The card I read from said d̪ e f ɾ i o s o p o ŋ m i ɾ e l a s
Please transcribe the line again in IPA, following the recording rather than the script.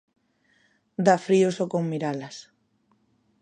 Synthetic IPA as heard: d̪ a f ɾ i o s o k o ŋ m i ɾ a l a s